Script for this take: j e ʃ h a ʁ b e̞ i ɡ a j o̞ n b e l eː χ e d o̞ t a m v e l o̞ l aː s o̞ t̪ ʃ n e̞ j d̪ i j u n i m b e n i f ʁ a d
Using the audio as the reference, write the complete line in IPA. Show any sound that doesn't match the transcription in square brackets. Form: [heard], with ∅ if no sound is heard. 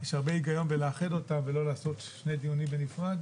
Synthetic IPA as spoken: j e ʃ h a ʁ b e̞ i ɡ a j o̞ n b e l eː χ e d o̞ t a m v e l o̞ l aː s o̞ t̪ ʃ n e̞ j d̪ i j u n i m b e n i f ʁ a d